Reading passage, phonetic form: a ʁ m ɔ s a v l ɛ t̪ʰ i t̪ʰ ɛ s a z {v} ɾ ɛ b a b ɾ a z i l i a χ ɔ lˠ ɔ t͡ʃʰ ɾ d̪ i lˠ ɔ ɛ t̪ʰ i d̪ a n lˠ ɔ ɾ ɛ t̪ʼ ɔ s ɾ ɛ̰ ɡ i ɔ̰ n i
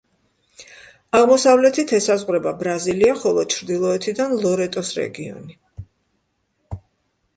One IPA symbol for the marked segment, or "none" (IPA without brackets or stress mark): ʁ